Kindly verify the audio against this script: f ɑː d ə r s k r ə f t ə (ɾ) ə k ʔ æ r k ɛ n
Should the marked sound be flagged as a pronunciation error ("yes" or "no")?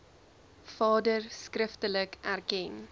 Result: yes